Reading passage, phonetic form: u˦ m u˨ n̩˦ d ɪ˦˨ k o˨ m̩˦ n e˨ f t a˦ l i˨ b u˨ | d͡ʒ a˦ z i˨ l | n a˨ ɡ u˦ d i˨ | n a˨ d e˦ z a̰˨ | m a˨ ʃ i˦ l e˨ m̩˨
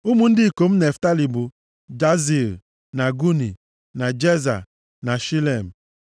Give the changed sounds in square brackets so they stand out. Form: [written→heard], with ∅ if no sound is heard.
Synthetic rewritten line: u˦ m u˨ n̩˦ d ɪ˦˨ k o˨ m̩˦ n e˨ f t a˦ l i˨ b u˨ | d͡ʒ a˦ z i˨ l | n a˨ ɡ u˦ [d→n] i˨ | n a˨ [d→d͡ʒ] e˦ z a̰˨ | [m→n] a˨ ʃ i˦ l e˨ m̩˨